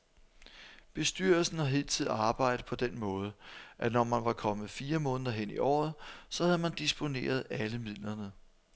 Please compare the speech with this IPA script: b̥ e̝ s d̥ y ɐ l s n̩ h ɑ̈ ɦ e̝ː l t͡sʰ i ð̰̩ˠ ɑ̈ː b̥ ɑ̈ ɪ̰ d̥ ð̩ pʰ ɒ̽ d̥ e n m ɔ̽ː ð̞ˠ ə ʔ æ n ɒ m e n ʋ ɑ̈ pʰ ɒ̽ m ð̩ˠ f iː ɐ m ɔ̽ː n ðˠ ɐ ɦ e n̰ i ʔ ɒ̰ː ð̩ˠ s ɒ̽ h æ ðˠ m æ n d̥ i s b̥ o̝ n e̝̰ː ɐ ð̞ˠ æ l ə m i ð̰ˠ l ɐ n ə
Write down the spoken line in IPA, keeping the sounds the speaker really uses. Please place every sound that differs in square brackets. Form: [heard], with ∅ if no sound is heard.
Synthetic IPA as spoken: b̥ e̝ s d̥ y ɐ l s n̩ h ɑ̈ ɦ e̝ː l t͡sʰ i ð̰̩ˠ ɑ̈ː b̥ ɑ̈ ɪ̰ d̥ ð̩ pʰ ɒ̽ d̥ e n m ɔ̽ː ð̞ˠ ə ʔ æ n ɒ m [æ] n ʋ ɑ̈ [kʰ] ɒ̽ m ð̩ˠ f iː ɐ m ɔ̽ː n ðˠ ɐ ɦ e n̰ i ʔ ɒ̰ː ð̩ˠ s ɒ̽ h æ ðˠ m æ n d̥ i s b̥ o̝ n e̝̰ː ɐ ð̞ˠ æ l ə m i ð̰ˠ l ɐ n ə